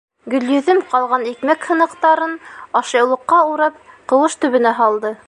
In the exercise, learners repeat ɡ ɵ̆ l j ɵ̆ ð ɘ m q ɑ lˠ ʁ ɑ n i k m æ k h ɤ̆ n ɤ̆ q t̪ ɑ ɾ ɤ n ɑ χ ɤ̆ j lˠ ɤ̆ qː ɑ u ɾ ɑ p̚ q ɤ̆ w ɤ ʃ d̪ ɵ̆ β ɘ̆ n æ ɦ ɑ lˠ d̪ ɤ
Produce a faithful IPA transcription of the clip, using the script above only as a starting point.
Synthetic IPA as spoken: ɡ ɵ̆ l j ɵ̆ ð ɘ m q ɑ lˠ ʁ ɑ n i k m æ k h ɤ̆ n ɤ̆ q t̪ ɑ ɾ ɤ n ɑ ʃ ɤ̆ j lˠ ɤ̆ qː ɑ u ɾ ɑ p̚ q ɤ̆ w ɤ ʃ t̪ ɵ̆ β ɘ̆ n æ ɦ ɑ lˠ d̪ ɤ